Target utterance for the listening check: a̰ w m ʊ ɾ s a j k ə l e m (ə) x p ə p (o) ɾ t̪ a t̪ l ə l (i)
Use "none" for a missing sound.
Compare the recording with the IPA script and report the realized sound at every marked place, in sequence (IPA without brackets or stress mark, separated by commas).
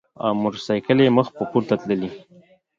ə, u, i